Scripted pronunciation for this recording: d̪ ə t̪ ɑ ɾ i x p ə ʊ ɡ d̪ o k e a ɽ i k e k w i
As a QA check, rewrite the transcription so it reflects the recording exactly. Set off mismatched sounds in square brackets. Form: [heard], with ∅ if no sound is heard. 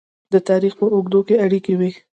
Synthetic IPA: d̪ ə t̪ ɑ ɾ i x p ə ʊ ɡ d̪ o k e a ɽ i k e [∅] w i